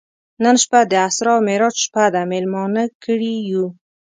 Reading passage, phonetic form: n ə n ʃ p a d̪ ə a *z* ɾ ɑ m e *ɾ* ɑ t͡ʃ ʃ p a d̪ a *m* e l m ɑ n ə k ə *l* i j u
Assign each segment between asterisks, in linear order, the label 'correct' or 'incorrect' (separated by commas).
incorrect, correct, correct, incorrect